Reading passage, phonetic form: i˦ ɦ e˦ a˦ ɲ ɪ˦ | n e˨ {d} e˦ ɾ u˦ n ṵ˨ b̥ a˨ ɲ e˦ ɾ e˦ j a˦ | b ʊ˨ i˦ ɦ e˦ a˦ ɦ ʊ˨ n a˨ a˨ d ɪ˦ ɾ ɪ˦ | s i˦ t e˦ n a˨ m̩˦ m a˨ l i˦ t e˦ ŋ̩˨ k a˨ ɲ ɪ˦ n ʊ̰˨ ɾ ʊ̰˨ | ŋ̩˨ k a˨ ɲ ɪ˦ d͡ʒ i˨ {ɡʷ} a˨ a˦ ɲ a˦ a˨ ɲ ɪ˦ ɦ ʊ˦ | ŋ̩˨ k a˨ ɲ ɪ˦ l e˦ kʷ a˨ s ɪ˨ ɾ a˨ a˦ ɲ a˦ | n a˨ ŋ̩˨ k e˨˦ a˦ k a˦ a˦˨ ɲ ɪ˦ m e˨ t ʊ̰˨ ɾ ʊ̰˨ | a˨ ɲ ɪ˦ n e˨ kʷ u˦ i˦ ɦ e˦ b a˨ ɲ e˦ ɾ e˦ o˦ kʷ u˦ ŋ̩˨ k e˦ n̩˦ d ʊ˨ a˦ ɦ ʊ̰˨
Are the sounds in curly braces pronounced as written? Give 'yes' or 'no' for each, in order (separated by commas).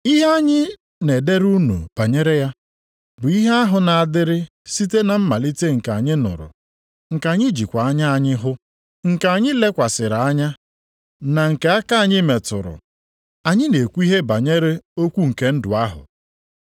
yes, no